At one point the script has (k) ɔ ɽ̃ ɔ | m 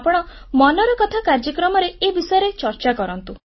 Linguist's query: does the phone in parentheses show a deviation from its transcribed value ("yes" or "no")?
yes